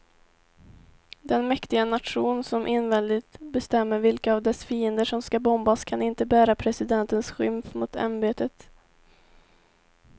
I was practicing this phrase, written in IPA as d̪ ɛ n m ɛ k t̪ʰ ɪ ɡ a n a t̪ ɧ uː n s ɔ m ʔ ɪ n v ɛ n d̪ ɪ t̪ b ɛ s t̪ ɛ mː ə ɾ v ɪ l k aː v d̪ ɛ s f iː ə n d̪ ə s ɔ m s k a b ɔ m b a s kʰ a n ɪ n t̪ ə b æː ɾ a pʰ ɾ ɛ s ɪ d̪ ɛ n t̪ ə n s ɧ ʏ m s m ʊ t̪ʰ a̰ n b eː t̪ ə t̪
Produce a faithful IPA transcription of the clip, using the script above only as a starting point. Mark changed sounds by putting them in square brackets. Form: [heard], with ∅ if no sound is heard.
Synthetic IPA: d̪ ɛ n m ɛ k [t̪] ɪ ɡ a n a t̪ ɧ uː n s ɔ m ʔ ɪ n v ɛ n d̪ ɪ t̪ b ɛ s t̪ ɛ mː ə ɾ v ɪ l k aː v d̪ ɛ s f iː ə n d̪ ə [ʂ] ɔ m s k a b ɔ m b a s kʰ a n ɪ n t̪ ə b æː ɾ a pʰ ɾ ɛ s ɪ d̪ ɛ n t̪ ə n s ɧ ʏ m [f] m ʊ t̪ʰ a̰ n b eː t̪ ə t̪